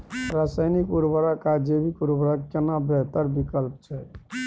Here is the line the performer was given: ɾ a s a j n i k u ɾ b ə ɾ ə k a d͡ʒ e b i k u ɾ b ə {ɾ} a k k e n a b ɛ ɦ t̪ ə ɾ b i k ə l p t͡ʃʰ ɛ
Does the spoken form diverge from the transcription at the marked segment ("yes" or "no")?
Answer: no